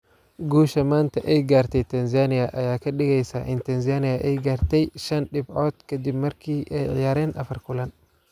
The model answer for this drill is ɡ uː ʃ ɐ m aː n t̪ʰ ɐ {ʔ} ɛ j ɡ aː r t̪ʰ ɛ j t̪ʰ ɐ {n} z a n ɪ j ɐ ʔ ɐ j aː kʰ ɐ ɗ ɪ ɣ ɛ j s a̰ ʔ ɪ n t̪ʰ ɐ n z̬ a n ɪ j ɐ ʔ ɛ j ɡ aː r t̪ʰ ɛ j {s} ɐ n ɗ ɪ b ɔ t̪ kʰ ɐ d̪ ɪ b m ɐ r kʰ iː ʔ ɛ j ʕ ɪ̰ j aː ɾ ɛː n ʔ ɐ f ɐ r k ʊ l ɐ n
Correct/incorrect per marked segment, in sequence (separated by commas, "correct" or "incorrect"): correct, correct, incorrect